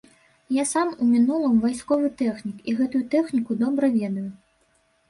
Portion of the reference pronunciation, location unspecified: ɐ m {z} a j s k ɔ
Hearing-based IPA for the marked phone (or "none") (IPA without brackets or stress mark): v